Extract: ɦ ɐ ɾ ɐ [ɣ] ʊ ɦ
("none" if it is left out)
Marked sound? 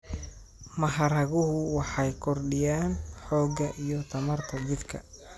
ɣ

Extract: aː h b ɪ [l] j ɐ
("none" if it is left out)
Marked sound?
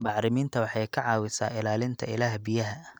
none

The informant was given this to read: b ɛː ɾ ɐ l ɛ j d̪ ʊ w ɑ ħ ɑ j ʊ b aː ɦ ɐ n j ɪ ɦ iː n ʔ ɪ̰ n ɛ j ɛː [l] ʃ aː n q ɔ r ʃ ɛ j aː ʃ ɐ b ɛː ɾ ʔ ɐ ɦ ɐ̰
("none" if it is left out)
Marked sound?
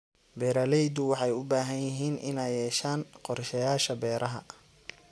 none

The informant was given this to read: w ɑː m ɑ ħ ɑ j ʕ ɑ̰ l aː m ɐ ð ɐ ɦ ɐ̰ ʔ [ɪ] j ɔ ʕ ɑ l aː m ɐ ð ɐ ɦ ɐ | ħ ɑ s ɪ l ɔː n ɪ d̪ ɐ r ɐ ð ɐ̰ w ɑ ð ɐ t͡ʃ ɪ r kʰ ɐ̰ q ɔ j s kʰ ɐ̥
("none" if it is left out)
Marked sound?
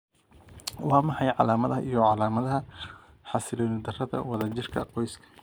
i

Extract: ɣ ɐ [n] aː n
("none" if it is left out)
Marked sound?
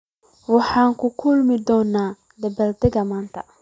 m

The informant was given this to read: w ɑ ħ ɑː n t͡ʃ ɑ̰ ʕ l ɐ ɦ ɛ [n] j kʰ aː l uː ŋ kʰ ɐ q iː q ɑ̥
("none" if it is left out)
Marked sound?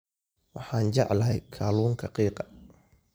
none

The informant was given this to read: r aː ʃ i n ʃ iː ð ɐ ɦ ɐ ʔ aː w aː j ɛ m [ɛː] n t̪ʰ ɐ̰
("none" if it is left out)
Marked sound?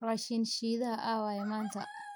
aː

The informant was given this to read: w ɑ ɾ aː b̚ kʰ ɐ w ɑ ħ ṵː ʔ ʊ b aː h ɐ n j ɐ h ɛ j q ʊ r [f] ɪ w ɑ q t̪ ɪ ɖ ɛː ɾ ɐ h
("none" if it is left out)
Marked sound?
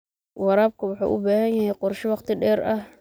ʃ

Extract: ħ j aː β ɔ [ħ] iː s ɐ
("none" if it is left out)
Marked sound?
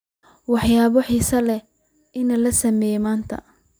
ħ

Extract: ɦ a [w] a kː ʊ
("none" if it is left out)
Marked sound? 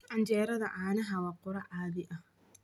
w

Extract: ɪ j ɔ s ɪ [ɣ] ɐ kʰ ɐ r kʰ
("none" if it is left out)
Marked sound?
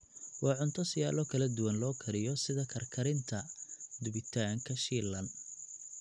ð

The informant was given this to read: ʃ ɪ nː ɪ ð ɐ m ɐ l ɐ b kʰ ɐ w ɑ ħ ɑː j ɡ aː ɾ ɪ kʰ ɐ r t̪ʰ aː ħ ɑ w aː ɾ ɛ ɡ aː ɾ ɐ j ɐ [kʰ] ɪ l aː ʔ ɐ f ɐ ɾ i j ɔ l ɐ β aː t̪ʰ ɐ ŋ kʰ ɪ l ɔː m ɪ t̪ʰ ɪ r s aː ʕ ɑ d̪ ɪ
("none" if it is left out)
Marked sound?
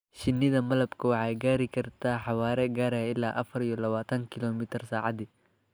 none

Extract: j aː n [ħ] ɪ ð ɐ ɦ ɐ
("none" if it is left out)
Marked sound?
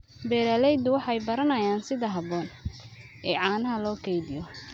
s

